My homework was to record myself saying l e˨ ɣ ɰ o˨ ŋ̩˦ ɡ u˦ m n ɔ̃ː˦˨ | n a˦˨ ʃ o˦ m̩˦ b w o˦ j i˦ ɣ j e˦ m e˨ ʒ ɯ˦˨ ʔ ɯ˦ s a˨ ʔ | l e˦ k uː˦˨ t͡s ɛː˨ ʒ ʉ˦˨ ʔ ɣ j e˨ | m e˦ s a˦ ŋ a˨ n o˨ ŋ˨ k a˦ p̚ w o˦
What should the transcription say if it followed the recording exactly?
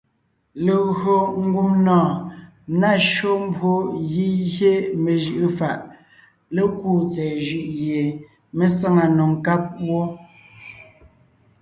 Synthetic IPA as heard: l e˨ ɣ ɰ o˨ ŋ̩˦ ɡ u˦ m n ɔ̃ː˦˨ | n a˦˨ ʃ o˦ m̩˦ b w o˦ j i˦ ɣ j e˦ m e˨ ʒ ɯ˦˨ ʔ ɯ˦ f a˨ ʔ | l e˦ k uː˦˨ t͡s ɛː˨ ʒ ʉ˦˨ ʔ ɣ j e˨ | m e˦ s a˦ ŋ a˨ n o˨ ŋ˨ k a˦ p̚ w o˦